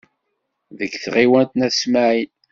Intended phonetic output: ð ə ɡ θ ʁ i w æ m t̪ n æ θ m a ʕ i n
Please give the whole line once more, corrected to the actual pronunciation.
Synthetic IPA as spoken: ð ə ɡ θ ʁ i w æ n t̪ n æ s m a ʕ i n